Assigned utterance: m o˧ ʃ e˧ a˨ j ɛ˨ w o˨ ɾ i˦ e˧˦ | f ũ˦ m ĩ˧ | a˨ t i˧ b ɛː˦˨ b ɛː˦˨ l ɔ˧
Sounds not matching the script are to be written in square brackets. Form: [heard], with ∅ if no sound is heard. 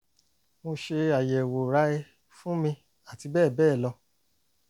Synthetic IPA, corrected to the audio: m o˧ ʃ e˧ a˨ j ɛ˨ w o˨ ɾ [a˦] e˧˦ | f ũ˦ m ĩ˧ | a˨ t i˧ b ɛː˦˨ b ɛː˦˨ l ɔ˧